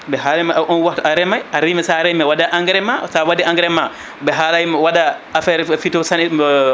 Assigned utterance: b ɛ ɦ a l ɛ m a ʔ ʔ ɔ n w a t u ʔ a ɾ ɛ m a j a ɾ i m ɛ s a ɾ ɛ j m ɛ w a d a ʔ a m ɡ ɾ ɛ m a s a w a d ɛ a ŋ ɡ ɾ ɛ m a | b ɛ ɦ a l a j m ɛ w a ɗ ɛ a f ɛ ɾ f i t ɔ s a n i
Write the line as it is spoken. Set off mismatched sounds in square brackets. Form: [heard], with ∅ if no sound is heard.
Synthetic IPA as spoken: b ɛ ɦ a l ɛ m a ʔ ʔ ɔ n w a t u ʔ a ɾ ɛ m a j a ɾ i m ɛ s a ɾ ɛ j m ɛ w a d a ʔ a [ŋ] ɡ ɾ ɛ m a s a w a d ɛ a ŋ ɡ ɾ ɛ m a | b ɛ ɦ a l a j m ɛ w a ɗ [a] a f ɛ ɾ f i t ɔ s a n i